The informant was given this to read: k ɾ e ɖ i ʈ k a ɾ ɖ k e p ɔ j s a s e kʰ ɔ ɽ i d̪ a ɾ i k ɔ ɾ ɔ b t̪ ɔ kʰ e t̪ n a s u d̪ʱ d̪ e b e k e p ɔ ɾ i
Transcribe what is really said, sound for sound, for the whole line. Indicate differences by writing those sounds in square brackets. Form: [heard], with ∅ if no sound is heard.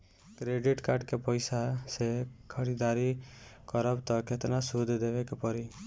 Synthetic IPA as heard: k ɾ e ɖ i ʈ k a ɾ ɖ k e p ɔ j s a s e kʰ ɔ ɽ i d̪ a ɾ i k ɔ ɾ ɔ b t̪ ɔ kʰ e t̪ n a s u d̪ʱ d̪ e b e k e p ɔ ɾ i